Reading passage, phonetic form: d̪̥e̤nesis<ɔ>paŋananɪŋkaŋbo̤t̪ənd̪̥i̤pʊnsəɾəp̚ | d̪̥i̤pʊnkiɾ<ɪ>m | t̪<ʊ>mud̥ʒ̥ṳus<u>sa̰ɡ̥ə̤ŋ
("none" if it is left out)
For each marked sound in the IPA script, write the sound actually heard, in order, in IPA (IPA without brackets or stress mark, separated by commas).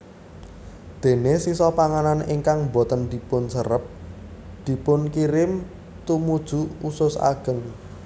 ɔ, ɪ, u, ʊ